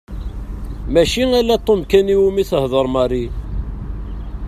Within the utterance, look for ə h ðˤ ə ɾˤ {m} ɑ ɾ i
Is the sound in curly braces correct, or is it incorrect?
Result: correct